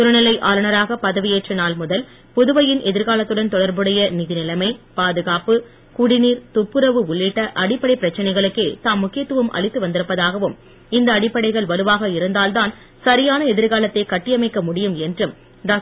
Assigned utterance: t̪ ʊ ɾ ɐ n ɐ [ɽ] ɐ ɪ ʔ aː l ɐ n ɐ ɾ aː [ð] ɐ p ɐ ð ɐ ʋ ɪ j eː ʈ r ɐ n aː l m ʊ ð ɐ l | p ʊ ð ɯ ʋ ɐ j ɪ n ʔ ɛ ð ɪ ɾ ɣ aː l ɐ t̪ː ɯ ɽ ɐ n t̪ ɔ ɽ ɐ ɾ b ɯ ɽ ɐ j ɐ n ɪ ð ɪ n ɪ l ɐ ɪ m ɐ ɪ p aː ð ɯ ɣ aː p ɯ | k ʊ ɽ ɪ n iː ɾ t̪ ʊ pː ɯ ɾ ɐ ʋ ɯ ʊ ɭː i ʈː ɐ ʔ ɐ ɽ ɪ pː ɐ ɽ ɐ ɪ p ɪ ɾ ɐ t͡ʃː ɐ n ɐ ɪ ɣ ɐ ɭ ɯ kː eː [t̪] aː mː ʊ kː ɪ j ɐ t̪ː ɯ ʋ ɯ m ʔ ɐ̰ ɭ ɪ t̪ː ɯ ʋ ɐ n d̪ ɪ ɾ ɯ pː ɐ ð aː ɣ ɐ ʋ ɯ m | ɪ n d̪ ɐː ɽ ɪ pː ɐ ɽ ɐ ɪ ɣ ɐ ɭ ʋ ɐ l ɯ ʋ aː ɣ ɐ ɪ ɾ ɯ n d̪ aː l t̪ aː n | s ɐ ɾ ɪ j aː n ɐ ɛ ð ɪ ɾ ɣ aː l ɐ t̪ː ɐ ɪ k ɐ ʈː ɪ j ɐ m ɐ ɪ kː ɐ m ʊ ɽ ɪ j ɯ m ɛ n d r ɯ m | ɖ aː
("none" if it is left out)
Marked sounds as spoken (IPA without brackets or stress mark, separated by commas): l, ɣ, t̪